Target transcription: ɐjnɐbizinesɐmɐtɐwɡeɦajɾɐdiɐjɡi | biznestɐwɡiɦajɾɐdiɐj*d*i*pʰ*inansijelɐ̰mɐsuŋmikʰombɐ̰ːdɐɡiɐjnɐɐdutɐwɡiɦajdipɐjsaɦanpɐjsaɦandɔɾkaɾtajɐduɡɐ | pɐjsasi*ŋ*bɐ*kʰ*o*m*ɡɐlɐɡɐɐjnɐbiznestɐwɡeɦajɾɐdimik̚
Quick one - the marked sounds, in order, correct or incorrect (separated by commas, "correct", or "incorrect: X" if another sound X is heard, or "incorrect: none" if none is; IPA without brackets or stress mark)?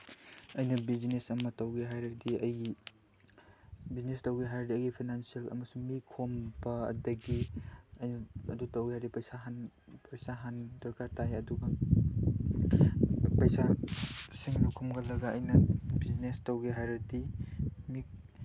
incorrect: ɡ, correct, correct, correct, correct